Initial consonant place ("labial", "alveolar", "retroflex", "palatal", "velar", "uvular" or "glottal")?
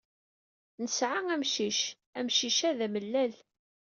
alveolar